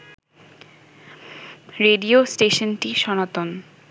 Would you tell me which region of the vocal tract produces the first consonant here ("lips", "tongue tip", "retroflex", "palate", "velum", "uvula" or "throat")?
tongue tip